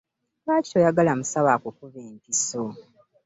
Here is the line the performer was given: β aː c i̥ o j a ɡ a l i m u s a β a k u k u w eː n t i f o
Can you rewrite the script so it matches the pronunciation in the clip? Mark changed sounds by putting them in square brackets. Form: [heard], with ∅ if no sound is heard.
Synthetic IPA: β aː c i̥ o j a ɡ a l [a] m u s a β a k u k u [β] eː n t i [s] o